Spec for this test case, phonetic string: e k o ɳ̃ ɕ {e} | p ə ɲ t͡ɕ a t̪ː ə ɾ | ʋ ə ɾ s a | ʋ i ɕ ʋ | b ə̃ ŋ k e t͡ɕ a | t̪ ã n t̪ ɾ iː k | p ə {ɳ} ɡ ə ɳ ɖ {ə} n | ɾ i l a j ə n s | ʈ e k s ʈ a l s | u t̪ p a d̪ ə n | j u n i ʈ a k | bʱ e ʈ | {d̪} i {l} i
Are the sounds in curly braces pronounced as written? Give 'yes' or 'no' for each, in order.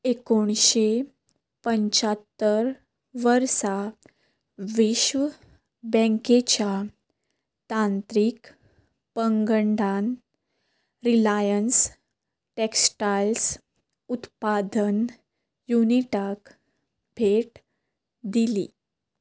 yes, no, no, yes, yes

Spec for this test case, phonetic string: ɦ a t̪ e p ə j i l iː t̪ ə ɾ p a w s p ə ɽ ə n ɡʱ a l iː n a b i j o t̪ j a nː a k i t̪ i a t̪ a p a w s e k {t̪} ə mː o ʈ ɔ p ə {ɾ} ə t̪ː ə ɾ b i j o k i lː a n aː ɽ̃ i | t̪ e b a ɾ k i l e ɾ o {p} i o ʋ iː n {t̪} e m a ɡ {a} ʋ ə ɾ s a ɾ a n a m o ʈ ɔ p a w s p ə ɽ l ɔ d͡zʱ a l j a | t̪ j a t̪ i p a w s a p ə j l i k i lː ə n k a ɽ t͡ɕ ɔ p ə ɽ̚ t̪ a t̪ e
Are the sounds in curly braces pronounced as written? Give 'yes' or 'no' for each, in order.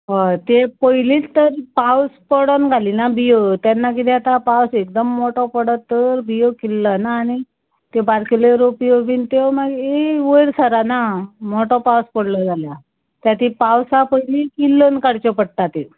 no, no, yes, yes, no

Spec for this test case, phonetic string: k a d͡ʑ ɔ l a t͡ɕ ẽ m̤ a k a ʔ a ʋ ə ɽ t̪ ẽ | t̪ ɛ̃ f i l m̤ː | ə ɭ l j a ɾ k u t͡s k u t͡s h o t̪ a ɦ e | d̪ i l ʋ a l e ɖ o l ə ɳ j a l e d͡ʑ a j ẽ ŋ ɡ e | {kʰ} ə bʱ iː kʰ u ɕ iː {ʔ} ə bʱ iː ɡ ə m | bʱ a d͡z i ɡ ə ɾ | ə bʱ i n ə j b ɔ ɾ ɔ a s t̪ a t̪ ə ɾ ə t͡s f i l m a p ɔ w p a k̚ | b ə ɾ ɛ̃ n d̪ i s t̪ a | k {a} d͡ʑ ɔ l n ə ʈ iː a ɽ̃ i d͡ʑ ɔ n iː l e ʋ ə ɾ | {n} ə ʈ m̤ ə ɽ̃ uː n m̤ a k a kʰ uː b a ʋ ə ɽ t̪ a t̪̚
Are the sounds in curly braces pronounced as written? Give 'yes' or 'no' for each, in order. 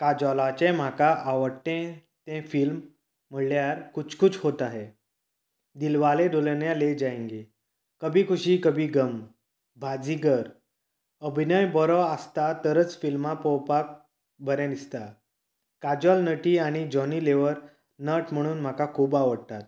no, no, yes, yes

